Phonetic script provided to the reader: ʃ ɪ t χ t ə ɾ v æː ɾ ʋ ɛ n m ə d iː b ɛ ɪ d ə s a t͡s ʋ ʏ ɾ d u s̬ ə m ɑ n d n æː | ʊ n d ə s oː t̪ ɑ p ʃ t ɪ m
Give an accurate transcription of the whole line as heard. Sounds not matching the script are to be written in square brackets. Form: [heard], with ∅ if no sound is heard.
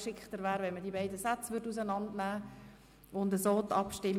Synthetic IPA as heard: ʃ ɪ [k] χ t ə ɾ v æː ɾ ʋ ɛ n m ə d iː b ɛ ɪ d ə s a t͡s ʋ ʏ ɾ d u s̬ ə [n] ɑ n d n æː | ʊ n d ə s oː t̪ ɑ p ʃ t ɪ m